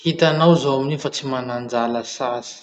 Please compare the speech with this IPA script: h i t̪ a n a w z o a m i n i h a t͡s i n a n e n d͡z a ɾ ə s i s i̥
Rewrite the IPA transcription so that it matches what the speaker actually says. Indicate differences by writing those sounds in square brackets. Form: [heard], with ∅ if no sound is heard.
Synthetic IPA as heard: h i t̪ a n a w z o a m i n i [f] a t͡s i [m] a n [a] n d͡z a [l] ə s [a] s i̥